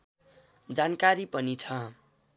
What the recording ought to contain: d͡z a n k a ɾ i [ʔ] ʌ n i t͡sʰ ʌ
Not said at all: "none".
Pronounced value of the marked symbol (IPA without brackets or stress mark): p